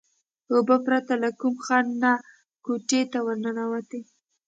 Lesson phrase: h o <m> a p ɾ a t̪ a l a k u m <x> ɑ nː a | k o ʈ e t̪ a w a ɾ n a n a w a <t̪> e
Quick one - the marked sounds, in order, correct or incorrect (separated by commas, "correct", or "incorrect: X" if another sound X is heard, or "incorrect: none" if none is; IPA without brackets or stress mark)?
incorrect: b, correct, correct